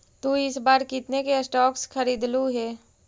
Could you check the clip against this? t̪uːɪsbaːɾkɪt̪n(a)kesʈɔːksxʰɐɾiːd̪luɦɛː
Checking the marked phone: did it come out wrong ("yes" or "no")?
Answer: yes